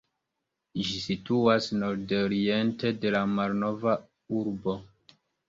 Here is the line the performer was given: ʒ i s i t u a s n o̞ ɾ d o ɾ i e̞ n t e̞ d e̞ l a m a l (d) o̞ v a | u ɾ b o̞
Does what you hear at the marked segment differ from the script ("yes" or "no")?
yes